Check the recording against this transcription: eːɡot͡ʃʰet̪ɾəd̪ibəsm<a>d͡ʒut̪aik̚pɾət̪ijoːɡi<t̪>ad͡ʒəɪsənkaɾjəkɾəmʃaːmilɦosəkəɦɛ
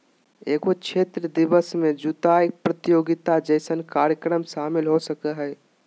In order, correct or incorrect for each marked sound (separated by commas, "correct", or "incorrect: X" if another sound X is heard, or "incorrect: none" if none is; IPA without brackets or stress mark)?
incorrect: e, correct